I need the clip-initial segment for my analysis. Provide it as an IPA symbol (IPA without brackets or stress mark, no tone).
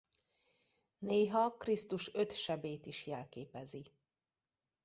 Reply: n